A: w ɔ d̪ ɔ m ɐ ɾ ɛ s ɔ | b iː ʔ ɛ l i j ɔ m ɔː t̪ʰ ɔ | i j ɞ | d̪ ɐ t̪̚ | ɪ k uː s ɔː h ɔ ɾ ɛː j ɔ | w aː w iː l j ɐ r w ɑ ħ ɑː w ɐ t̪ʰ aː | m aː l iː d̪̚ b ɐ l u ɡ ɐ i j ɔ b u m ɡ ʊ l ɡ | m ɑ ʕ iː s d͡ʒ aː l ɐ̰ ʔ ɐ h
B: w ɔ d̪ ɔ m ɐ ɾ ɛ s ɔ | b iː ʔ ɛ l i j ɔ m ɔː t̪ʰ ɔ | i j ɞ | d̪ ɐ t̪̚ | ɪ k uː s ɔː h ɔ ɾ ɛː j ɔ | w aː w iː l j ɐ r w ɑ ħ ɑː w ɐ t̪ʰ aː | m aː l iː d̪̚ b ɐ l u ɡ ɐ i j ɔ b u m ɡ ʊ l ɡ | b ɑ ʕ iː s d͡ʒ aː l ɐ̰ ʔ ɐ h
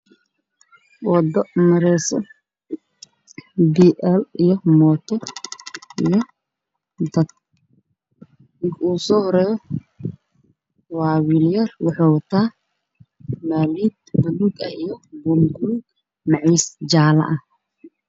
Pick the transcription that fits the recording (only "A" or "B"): A